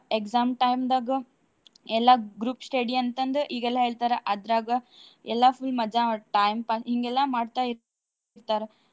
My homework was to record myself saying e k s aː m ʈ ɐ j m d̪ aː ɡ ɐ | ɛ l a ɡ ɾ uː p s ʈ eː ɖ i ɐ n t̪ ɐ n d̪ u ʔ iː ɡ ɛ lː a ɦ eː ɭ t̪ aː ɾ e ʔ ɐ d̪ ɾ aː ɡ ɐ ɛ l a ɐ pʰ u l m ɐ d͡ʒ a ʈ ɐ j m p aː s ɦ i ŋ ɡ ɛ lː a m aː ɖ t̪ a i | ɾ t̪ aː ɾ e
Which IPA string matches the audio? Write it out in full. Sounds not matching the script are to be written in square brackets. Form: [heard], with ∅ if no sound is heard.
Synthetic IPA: e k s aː m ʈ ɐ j m d̪ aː ɡ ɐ | ɛ [lː] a ɡ ɾ uː p s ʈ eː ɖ i ɐ n t̪ ɐ n d̪ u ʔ iː ɡ ɛ lː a ɦ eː ɭ t̪ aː ɾ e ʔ ɐ d̪ ɾ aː ɡ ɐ ɛ [lː] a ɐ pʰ u l m ɐ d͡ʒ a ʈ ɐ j m p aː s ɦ i ŋ ɡ ɛ lː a m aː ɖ t̪ a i | ɾ t̪ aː ɾ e